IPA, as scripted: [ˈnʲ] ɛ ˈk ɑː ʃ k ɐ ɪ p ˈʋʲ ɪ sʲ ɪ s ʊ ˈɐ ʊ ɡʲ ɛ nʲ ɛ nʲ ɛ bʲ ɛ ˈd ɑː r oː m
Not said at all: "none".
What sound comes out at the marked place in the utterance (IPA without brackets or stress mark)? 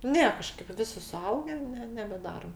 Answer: nʲ